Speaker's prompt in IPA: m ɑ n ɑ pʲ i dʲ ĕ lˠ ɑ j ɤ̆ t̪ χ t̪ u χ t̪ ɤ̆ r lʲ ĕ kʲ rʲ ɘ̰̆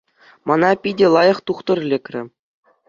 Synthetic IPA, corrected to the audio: m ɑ n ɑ pʲ i dʲ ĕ lˠ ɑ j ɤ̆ χ t̪ u χ t̪ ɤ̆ r lʲ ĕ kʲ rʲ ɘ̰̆